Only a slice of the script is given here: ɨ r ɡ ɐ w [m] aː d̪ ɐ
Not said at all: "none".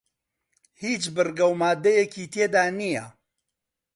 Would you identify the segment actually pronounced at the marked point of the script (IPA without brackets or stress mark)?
m